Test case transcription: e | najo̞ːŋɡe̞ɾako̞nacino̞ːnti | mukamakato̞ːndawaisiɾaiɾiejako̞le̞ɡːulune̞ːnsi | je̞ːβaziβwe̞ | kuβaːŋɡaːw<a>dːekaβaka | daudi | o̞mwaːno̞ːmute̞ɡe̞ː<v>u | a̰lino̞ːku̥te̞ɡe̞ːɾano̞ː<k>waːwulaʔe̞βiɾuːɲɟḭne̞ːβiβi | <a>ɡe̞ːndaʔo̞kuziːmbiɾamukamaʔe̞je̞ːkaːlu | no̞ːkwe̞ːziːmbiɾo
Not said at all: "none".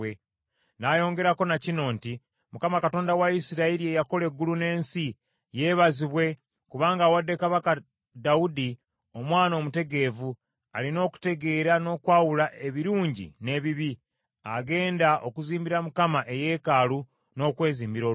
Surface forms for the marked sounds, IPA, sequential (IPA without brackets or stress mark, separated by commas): a, v, k, a